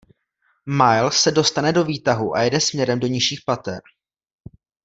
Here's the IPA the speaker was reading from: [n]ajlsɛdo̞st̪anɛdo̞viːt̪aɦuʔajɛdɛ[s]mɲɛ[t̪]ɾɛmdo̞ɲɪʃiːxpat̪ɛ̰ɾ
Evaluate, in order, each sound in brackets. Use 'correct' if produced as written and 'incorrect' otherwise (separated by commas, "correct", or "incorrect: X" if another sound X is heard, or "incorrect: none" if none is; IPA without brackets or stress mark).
incorrect: m, correct, incorrect: none